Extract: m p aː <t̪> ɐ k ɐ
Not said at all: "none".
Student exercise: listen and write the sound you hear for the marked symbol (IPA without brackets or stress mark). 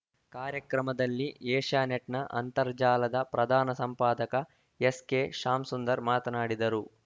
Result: d̪